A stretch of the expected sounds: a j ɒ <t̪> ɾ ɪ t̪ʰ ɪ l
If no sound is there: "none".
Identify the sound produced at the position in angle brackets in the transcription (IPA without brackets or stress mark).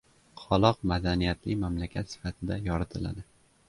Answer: none